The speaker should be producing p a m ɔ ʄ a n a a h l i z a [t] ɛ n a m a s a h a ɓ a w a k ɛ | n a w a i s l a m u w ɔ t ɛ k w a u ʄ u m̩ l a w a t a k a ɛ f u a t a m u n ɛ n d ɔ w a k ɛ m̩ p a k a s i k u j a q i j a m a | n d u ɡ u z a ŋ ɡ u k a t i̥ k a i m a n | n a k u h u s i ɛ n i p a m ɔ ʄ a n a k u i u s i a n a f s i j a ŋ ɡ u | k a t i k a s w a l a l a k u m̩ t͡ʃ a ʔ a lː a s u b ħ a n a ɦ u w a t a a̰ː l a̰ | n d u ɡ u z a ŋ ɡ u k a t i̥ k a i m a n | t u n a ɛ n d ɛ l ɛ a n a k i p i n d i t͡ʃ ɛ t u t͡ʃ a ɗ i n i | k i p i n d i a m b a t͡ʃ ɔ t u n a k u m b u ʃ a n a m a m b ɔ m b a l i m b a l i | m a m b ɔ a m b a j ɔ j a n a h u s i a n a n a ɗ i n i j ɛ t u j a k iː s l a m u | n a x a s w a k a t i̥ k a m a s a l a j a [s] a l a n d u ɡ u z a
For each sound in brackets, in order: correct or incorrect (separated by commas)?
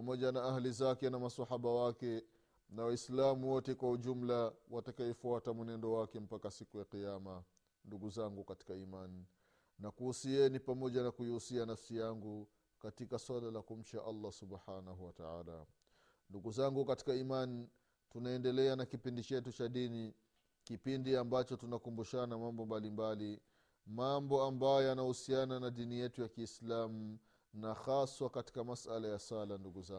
incorrect, correct